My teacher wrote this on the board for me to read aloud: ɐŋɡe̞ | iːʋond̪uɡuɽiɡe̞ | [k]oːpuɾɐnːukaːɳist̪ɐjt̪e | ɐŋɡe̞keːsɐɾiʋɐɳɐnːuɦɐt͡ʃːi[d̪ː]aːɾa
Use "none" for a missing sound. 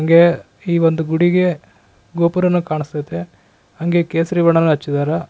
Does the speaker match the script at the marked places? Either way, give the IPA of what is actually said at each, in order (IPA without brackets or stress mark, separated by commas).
ɡ, d̪